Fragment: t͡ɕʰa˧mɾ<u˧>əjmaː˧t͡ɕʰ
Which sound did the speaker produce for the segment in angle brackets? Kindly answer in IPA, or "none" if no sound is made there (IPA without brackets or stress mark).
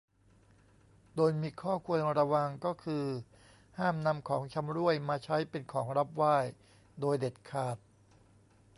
u˥˩